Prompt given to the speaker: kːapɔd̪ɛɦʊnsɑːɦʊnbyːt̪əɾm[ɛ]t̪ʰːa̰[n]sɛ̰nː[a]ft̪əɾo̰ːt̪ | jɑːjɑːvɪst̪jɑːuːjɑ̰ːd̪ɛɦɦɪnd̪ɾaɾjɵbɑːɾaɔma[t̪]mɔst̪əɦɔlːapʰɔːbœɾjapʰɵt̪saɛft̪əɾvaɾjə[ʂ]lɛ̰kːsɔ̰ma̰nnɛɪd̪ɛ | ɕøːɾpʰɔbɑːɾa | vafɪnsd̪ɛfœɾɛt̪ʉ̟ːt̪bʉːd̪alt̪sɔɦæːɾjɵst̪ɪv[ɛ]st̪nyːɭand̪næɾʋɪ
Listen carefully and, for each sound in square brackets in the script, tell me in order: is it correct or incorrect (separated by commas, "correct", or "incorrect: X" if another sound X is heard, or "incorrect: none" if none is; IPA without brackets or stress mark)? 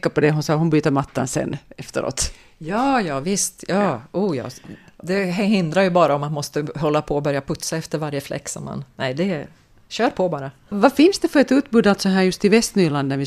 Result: incorrect: a, correct, incorrect: ɛ, correct, incorrect: f, correct